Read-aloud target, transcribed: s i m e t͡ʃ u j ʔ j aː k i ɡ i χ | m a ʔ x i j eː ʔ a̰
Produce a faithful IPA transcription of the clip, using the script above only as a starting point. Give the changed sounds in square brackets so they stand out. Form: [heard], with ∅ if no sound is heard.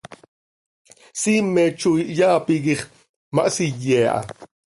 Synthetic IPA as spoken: s i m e t͡ʃ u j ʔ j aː [p] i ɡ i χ | m a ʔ [s] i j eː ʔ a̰